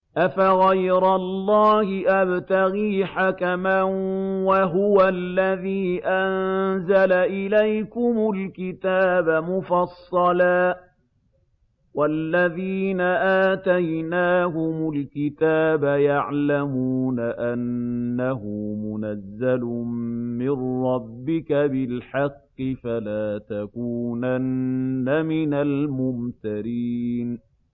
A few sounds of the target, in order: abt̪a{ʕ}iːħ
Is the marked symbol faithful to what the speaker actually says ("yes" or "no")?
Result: no